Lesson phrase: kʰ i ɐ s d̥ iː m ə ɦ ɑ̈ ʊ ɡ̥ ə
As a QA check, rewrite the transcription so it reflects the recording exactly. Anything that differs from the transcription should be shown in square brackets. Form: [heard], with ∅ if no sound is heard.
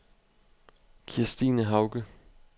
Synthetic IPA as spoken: kʰ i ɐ s d̥ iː [n] ə ɦ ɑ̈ ʊ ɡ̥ ə